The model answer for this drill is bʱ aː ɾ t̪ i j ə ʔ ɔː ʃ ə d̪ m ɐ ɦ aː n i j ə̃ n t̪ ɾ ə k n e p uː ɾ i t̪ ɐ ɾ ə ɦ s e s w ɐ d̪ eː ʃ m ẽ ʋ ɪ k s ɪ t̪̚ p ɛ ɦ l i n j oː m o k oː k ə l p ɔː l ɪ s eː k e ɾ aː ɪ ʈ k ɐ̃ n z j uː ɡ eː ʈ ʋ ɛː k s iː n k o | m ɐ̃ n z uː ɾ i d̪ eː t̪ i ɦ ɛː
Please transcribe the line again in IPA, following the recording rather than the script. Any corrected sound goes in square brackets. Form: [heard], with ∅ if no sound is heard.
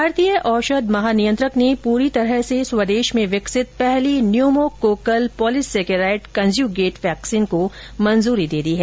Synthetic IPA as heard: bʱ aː ɾ t̪ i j ə ʔ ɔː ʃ ə d̪ m ɐ ɦ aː n i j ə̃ n t̪ ɾ ə k n e p uː ɾ i t̪ ɐ ɾ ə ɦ s e s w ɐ d̪ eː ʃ m ẽ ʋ ɪ k s ɪ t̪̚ p ɛ ɦ l i n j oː m o k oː k ə l p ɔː l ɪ s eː k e ɾ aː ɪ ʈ k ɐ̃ n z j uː ɡ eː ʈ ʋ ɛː k s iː n k o | m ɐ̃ n z uː ɾ i d̪ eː [d̪] i ɦ ɛː